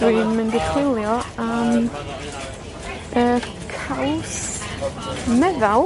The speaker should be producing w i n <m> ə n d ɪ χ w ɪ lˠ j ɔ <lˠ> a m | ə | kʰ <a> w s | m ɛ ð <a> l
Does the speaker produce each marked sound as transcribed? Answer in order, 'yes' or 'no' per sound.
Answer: yes, no, yes, yes

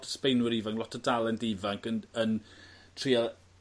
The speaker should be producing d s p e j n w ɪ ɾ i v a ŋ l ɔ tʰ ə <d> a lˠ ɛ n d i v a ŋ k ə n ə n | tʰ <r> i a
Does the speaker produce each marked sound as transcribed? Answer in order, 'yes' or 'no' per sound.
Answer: yes, yes

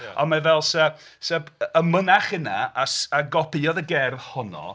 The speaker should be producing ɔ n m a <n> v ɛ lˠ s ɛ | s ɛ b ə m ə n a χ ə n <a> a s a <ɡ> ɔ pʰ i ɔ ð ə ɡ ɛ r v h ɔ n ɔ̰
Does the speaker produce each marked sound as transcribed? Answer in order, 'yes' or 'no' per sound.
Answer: no, yes, yes

